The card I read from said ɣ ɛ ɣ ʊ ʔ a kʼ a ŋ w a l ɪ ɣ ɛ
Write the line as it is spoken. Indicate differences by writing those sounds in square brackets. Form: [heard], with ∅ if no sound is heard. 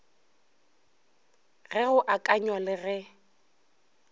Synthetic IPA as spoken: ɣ ɛ ɣ ʊ ʔ a kʼ a [ɲ] w a l ɪ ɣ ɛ